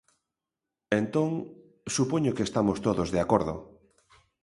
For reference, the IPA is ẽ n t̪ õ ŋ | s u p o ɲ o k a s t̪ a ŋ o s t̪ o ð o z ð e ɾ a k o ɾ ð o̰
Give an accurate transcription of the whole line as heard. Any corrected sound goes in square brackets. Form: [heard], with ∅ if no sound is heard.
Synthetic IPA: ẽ n t̪ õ ŋ | s u p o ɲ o k [e] s t̪ a [m] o s t̪ o ð o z ð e [∅] a k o ɾ ð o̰